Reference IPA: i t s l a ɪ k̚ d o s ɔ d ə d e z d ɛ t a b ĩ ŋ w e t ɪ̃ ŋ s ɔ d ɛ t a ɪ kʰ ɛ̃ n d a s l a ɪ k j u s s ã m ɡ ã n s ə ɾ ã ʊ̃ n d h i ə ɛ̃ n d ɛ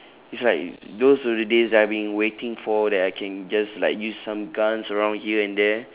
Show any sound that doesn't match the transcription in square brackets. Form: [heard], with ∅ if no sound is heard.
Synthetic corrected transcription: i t s l a ɪ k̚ d o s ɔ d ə d e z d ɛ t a b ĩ ŋ w e t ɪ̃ ŋ [f] ɔ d ɛ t a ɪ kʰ ɛ̃ n [d͡ʒ] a s l a ɪ k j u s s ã m ɡ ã n s ə [ɹ] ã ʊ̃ n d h i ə ɛ̃ n d ɛ